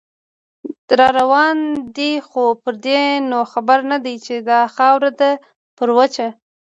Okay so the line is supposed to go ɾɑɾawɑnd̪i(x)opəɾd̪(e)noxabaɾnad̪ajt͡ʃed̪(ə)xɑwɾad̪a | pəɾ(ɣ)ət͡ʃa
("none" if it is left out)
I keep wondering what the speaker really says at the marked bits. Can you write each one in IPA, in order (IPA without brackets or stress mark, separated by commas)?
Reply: x, e, ɑ, w